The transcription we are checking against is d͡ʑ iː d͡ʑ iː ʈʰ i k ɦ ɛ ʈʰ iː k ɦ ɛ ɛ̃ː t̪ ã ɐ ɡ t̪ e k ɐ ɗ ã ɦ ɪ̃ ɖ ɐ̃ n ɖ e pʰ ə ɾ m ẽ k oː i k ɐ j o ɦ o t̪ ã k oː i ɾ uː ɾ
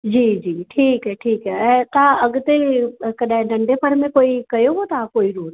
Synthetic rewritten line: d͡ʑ iː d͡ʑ iː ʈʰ iː k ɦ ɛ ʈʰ iː k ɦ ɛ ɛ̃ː t̪ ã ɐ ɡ t̪ e k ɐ ɗ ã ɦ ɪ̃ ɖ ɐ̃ ɳ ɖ e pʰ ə ɾ m ẽ k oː i k ɐ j o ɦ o t̪ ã k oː i ɾ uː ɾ